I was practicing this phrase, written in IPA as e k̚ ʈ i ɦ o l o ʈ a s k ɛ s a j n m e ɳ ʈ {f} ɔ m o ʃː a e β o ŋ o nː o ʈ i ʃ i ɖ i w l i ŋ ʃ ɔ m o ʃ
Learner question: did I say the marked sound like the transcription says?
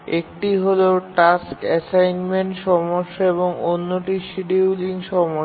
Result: no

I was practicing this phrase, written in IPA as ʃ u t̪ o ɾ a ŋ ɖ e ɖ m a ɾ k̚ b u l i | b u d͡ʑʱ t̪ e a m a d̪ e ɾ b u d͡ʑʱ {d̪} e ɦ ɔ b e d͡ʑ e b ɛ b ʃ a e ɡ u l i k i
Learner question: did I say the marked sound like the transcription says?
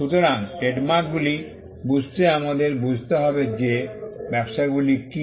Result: no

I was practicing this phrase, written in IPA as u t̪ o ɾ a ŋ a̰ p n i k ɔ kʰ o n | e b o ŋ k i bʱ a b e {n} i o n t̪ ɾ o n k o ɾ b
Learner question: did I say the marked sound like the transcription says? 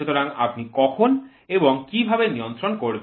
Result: yes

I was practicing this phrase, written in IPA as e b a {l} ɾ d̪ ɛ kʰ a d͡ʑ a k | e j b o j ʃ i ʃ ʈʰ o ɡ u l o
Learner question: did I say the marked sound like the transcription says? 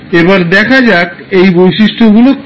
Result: no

